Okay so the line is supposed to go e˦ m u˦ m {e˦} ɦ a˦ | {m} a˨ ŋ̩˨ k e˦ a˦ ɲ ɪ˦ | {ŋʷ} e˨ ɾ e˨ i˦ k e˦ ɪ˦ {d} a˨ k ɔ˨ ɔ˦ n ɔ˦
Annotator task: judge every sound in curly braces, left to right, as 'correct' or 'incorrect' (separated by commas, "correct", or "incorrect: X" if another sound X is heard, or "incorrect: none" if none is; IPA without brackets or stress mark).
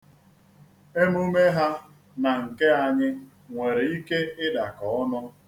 correct, incorrect: n, correct, correct